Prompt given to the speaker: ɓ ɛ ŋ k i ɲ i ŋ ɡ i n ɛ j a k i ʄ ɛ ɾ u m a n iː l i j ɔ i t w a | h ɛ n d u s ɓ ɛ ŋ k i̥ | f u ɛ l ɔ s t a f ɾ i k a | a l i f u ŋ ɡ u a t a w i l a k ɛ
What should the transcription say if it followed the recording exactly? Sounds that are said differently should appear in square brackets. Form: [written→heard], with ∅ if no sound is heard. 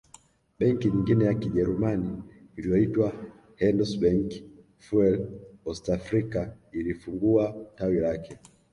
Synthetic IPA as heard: ɓ ɛ ŋ k i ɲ i ŋ ɡ i n ɛ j a k i ʄ ɛ ɾ u m a n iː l i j ɔ i t w a | h ɛ n d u s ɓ ɛ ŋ k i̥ | f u ɛ l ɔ s t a f ɾ i k a | [a→i] l i f u ŋ ɡ u a t a w i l a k ɛ